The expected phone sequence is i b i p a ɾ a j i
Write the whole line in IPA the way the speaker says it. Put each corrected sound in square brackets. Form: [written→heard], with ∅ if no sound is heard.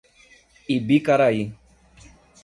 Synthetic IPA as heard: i b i [p→k] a ɾ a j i